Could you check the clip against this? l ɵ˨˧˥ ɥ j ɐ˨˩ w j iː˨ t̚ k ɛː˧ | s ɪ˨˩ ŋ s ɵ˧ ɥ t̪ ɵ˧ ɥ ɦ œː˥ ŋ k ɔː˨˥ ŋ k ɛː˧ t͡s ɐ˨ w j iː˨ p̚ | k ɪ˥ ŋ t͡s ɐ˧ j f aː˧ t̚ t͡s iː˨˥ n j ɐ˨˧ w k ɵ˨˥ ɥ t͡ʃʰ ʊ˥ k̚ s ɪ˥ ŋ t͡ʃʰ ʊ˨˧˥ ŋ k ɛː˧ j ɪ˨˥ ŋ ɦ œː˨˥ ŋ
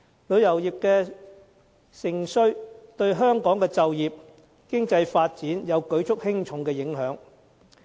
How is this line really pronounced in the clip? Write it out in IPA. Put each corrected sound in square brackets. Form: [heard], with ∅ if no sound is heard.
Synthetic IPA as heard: l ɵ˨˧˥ ɥ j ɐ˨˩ w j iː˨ [p̚] k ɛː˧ | s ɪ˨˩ ŋ s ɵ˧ ɥ t̪ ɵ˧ ɥ ɦ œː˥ ŋ k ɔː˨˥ ŋ k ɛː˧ t͡s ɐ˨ w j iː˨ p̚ | k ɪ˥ ŋ t͡s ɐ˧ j f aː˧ t̚ t͡s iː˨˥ n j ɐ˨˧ w k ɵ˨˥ ɥ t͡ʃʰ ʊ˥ k̚ [h] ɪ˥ ŋ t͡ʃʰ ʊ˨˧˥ ŋ k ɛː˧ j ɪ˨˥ ŋ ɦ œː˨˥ ŋ